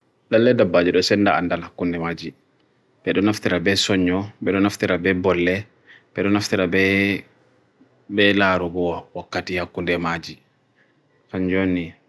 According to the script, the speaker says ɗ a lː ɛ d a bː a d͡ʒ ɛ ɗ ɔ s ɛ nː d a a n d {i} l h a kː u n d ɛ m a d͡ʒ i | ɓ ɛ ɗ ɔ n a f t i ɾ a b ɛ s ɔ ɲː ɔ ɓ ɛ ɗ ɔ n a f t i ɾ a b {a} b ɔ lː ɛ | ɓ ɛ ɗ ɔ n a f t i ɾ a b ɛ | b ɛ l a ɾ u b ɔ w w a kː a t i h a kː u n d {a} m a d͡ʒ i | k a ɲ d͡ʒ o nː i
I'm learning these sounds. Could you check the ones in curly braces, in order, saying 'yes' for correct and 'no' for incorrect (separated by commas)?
no, no, no